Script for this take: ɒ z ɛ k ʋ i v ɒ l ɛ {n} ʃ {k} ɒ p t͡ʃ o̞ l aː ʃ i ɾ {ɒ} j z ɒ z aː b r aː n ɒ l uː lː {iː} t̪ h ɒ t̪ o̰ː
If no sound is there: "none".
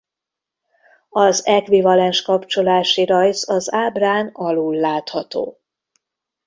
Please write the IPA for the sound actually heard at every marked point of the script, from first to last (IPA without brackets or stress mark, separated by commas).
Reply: n, k, ɒ, aː